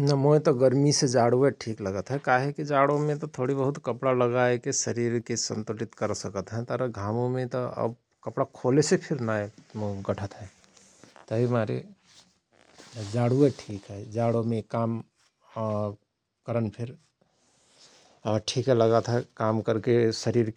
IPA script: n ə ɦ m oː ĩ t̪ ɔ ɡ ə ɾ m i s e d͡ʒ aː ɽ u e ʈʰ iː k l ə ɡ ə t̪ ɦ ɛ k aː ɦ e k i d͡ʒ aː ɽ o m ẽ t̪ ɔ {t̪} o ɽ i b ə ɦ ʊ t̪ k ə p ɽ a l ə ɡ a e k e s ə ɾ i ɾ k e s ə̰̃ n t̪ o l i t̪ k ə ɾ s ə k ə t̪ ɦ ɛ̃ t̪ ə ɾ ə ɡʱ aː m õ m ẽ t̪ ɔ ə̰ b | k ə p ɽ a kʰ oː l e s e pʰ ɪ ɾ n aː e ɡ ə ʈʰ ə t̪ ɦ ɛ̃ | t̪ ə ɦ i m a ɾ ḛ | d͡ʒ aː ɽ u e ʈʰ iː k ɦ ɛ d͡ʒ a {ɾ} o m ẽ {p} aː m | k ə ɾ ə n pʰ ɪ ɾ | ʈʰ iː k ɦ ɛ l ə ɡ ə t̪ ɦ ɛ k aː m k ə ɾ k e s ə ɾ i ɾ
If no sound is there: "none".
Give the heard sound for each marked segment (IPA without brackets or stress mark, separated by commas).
t̪ʰ, ɽ, k